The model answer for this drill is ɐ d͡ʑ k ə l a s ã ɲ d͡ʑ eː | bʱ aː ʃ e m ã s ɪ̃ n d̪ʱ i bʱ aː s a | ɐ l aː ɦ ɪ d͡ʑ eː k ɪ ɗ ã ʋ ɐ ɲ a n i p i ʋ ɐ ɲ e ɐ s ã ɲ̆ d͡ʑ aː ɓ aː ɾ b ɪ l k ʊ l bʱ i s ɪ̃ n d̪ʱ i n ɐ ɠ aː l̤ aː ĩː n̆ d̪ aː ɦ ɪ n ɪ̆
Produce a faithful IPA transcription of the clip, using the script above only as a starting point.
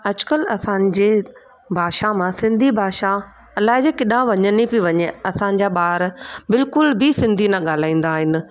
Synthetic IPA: ɐ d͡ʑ k ə l ɐ s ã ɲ d͡ʑ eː | bʱ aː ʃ a m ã s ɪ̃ n d̪ʱ i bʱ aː ʃ a | ɐ l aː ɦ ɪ d͡ʑ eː k ɪ ɗ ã ʋ ɐ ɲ ə n i p i ʋ ɐ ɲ e ɐ s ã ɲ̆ d͡ʑ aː ɓ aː ɾ b ɪ l k ʊ l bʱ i s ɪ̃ n d̪ʱ i n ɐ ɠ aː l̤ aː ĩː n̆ d̪ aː ɦ ɪ n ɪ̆